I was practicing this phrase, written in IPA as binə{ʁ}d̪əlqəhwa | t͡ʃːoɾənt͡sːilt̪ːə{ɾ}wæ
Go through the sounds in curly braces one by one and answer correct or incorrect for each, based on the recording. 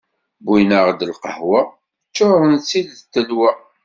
correct, incorrect: l

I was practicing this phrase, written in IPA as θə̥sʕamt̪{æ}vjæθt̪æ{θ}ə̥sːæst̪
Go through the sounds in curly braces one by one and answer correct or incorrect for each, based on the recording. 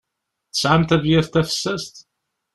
correct, incorrect: f

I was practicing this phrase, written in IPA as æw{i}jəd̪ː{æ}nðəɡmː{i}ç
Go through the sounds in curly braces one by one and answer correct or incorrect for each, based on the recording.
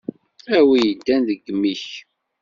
correct, correct, correct

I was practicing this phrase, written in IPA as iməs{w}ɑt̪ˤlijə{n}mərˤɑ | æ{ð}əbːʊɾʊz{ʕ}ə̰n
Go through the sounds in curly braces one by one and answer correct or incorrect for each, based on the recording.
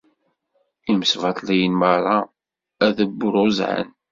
incorrect: v, correct, correct, correct

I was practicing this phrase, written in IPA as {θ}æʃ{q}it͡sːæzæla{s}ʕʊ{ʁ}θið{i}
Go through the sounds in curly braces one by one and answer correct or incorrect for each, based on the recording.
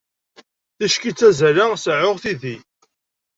correct, incorrect: k, correct, correct, correct

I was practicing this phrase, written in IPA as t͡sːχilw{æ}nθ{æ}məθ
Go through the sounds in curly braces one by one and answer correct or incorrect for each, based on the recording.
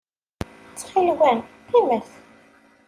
correct, incorrect: i

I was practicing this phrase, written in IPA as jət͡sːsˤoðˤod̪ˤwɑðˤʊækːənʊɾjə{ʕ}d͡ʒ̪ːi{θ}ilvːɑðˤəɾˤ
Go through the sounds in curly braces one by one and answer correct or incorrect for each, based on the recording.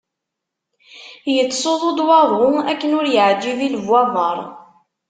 correct, incorrect: ð

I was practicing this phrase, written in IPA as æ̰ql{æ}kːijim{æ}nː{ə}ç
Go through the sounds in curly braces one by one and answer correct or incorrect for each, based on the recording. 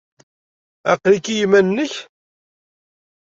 incorrect: i, correct, correct

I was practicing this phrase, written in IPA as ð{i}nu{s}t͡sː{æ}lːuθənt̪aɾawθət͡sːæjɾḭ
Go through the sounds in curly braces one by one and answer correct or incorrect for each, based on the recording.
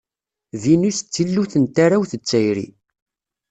correct, correct, incorrect: i

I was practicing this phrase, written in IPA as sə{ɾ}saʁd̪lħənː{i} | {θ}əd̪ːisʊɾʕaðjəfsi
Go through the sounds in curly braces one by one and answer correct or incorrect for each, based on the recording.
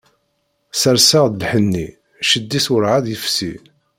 correct, correct, incorrect: ʃ

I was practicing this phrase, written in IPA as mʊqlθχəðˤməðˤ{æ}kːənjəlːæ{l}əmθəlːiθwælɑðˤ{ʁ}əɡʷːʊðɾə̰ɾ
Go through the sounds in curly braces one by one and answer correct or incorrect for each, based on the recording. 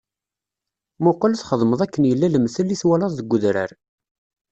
correct, correct, incorrect: ð

